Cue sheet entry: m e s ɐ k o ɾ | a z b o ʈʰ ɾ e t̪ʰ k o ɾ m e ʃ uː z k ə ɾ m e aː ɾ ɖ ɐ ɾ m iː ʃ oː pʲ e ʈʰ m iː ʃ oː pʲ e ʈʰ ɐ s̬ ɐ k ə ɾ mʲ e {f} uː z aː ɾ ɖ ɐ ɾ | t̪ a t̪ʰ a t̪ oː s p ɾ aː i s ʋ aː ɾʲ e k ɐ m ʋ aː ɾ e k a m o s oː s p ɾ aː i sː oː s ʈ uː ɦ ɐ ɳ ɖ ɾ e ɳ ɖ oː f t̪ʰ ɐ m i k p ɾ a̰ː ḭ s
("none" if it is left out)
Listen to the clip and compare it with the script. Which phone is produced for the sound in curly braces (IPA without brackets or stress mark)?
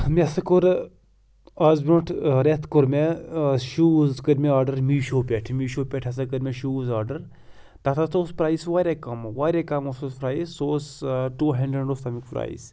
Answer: ʃ